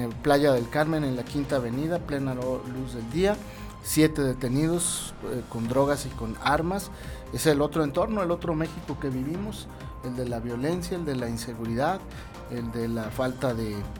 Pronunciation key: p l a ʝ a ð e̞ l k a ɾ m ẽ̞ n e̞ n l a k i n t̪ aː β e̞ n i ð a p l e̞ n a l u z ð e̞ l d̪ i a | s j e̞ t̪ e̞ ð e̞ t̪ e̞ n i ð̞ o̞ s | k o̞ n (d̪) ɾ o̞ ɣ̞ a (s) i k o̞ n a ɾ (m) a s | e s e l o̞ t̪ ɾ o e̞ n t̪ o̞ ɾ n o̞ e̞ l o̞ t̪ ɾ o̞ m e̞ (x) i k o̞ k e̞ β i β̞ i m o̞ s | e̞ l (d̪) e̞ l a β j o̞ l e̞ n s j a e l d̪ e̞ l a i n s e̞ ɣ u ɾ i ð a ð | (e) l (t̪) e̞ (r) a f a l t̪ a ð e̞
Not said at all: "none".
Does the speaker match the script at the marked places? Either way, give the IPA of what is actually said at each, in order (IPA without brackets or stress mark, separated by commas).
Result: d̪, s, m, x, d̪, e, d̪, l